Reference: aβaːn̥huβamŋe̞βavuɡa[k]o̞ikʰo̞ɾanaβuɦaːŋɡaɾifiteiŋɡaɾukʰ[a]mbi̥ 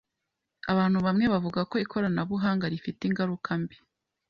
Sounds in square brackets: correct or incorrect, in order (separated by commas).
correct, correct